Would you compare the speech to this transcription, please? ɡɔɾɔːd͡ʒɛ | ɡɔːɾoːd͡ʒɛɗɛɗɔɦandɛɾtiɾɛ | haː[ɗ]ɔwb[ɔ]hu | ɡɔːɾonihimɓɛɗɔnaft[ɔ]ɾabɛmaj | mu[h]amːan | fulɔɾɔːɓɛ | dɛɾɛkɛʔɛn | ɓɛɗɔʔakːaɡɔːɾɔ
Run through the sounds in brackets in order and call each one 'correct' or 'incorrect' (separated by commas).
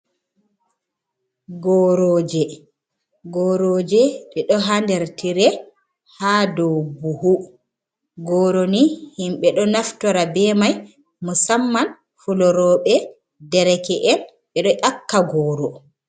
incorrect, incorrect, correct, incorrect